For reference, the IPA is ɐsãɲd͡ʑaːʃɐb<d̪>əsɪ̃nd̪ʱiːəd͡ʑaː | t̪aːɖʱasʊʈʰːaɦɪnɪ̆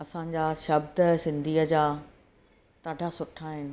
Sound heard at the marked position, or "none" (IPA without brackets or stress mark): d̪